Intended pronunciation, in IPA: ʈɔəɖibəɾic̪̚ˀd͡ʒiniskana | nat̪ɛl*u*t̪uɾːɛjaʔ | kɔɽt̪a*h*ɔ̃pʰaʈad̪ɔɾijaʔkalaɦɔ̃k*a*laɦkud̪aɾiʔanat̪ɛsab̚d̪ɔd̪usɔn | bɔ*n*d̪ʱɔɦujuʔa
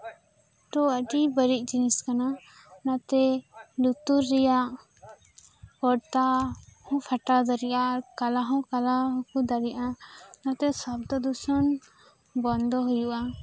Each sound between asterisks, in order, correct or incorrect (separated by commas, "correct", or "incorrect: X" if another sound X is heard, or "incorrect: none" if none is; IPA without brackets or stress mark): correct, correct, correct, correct